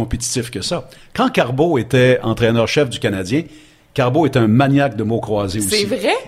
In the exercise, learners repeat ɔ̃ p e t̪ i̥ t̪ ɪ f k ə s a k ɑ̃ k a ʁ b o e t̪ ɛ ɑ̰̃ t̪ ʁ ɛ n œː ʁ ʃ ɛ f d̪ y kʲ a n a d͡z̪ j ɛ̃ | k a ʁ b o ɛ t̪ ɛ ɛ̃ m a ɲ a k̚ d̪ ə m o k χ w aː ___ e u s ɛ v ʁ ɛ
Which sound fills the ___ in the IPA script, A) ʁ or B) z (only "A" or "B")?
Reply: B